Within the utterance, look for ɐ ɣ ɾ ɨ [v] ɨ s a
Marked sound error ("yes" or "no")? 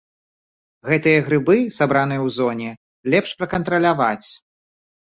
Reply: yes